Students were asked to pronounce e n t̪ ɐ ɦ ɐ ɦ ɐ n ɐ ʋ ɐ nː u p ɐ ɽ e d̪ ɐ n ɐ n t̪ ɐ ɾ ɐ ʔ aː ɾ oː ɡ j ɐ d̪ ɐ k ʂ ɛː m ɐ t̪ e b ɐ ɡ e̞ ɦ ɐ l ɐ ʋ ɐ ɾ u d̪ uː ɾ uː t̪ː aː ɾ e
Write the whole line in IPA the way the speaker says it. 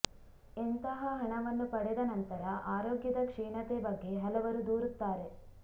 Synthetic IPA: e n t̪ ɐ ɦ ɐ ɦ ɐ ɳ ɐ ʋ ɐ nː u p ɐ ɽ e d̪ ɐ n ɐ n t̪ ɐ ɾ ɐ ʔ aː ɾ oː ɡ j ɐ d̪ ɐ k ʂ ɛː ɳ ɐ t̪ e b ɐ ɡː e̞ ɦ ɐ l ɐ ʋ ɐ ɾ u d̪ uː ɾ u t̪ː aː ɾ e